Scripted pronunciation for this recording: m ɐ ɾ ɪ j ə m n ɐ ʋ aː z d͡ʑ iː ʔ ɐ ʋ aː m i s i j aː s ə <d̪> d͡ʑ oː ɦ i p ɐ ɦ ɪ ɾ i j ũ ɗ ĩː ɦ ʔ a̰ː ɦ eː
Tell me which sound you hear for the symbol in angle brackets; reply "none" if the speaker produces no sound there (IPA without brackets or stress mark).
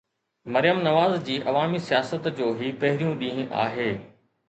t̪